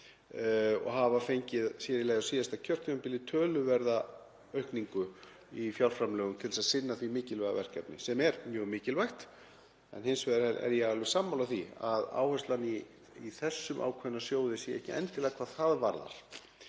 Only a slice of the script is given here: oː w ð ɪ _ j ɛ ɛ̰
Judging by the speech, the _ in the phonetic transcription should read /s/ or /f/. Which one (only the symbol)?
s